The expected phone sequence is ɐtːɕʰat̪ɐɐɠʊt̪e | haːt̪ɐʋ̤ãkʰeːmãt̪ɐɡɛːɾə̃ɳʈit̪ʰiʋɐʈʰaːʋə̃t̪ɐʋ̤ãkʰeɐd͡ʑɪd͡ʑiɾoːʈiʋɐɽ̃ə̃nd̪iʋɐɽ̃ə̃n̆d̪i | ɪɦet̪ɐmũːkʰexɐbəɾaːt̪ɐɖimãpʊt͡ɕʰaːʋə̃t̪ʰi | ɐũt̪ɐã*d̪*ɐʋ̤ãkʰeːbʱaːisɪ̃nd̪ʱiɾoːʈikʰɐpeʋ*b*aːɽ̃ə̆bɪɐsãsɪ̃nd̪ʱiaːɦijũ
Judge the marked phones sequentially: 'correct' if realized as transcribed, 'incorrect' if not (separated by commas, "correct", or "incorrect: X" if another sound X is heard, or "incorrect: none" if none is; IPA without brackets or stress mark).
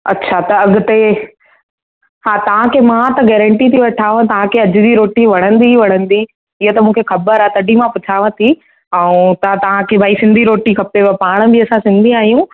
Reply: incorrect: t̪, incorrect: p